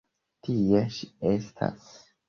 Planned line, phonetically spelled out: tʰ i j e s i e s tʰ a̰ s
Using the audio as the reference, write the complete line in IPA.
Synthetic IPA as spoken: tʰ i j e ʃ i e s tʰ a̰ s